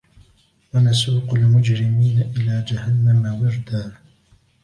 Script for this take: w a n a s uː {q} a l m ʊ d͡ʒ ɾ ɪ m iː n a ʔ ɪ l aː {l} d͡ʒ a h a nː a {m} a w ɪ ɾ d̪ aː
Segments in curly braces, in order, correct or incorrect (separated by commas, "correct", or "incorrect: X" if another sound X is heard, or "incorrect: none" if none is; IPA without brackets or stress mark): correct, incorrect: none, correct